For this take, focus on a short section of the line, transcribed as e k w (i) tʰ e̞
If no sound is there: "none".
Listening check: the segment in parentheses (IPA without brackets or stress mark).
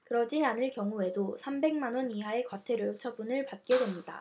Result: a